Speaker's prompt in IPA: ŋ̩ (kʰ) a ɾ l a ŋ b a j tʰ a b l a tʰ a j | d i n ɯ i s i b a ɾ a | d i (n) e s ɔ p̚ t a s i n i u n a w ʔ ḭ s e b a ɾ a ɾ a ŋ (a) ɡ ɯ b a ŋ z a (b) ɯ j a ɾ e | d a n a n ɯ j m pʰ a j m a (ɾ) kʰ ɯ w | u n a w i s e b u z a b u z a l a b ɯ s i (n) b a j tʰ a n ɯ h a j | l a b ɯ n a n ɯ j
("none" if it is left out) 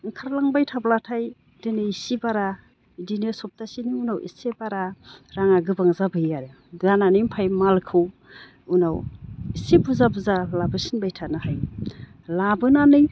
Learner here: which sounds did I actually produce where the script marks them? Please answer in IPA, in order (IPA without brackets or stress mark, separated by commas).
kʰ, n, a, b, l, n